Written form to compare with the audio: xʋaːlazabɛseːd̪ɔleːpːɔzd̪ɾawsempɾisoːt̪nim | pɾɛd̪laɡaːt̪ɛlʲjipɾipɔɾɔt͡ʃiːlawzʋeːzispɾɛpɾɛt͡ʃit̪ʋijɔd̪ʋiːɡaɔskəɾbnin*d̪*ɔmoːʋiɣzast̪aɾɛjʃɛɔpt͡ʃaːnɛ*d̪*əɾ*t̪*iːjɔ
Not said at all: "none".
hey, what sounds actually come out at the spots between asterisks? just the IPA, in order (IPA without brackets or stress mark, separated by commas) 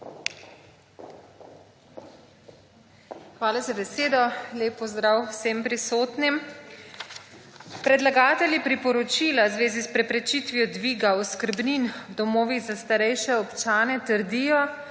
d̪, t̪, d̪